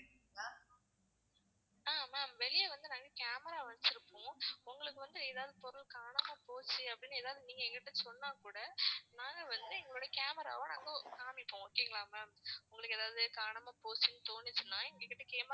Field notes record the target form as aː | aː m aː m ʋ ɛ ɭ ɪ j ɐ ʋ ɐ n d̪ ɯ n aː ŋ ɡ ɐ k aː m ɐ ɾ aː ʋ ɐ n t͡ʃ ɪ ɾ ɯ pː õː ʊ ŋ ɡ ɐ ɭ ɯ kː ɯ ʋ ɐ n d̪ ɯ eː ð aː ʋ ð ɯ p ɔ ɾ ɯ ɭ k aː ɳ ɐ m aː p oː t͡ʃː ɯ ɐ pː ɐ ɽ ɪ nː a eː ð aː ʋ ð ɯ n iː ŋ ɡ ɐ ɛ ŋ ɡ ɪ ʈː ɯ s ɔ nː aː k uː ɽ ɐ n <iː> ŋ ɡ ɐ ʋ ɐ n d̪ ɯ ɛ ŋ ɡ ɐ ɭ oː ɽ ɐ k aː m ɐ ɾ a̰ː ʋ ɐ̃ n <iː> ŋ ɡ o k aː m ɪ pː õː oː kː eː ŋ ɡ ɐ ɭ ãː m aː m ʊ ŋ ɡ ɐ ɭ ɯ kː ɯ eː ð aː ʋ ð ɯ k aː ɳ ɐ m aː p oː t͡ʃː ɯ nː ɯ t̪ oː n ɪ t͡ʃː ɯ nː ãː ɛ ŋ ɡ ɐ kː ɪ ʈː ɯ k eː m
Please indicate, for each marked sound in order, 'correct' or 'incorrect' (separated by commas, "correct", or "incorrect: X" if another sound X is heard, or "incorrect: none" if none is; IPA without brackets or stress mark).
incorrect: aː, incorrect: aː